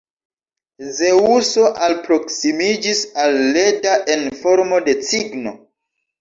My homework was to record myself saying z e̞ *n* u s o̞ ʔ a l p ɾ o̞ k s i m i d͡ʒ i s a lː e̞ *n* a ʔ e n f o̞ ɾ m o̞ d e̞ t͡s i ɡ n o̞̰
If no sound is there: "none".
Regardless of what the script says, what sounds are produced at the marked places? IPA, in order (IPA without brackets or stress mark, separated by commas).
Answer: none, d